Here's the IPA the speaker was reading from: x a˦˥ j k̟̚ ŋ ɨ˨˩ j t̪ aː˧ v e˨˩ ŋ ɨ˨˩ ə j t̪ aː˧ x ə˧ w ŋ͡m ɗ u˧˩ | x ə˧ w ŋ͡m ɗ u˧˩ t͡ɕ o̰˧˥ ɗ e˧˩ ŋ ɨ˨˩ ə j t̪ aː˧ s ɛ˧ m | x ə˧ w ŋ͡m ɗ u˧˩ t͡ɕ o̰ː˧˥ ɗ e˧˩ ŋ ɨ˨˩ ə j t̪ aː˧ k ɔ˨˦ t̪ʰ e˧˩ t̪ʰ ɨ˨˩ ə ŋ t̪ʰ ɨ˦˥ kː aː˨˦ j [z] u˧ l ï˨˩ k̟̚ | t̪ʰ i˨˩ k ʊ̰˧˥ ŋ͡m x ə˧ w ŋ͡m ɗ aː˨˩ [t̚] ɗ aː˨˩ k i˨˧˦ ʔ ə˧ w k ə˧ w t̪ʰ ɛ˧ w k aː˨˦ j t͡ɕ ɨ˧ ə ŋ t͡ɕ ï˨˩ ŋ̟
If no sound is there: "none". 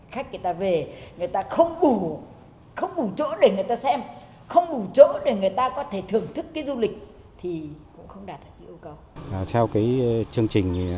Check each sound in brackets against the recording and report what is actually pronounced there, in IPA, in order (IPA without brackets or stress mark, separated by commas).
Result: z, t̚